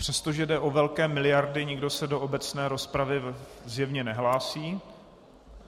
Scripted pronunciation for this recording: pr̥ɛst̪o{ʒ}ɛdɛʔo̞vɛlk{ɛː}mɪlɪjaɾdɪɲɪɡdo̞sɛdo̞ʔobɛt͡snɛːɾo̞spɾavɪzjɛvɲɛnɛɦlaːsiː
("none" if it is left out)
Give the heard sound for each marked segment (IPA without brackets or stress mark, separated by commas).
ʒ, ɛː